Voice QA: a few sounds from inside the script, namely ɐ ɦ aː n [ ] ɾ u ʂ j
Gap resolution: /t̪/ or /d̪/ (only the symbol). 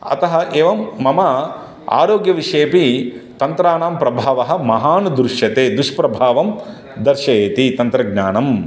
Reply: d̪